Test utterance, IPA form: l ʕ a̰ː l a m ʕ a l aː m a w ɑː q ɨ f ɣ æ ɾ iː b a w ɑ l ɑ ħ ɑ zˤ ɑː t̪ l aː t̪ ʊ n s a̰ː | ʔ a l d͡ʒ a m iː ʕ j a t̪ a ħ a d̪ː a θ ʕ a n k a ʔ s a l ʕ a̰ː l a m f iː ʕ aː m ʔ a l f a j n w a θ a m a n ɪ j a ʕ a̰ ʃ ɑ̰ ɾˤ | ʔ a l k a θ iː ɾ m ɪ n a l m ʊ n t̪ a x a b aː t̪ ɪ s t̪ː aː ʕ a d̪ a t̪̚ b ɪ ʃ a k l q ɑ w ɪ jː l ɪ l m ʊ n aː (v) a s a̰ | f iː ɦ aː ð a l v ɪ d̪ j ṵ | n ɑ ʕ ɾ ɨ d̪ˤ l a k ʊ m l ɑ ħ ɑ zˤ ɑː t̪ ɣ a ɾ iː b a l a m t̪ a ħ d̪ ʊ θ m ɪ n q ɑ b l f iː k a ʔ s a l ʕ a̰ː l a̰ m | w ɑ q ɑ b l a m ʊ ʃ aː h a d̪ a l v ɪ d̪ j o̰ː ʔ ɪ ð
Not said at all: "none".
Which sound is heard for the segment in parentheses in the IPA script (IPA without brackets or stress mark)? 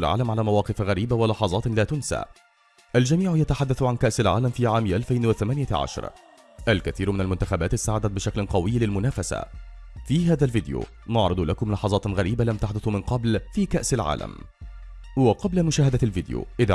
f